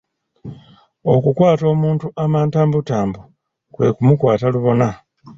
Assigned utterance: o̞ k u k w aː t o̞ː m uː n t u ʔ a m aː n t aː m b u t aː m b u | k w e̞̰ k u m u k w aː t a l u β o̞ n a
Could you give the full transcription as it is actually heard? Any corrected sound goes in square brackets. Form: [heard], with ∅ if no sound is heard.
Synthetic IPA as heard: o̞ k u k w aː t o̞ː m uː n t u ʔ a m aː n t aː m b u t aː m b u | k w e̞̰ k u m u k w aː t a l u β o̞ n a

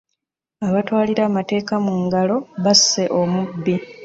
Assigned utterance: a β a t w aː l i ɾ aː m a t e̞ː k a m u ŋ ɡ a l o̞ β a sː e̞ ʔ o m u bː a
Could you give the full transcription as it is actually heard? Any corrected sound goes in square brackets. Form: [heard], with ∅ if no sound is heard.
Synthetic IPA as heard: a β a t w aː l i ɾ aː m a t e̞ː k a m u ŋ ɡ a l o̞ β a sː e̞ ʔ o m u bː [i]

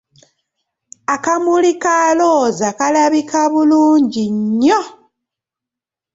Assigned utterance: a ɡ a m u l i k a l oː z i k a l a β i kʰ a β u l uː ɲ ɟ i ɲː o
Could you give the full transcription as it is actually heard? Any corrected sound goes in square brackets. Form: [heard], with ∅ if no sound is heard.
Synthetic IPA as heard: a [k] a m u l i k a l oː z [a] k a l a β i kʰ a β u l uː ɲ ɟ i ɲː o

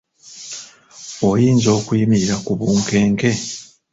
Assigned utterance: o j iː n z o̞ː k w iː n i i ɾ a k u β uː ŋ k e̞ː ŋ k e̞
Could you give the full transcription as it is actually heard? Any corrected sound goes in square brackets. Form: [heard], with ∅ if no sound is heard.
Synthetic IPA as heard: o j iː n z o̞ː k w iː [m] i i ɾ a k u β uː ŋ k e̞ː ŋ k e̞

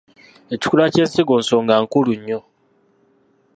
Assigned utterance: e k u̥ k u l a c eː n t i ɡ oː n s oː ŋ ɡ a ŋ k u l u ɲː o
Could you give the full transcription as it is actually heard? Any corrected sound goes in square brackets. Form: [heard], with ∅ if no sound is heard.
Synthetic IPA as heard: e [c] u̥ k u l a c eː n [s] i ɡ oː n s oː ŋ ɡ a ŋ k u l u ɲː o

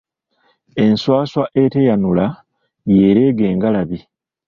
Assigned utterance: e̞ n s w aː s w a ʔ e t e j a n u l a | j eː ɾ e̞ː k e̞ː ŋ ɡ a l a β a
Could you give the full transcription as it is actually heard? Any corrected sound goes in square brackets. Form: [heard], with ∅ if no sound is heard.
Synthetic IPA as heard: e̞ n s w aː s w a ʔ e t e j a n u l a | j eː ɾ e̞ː [ɡ] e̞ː ŋ ɡ a l a β [i]

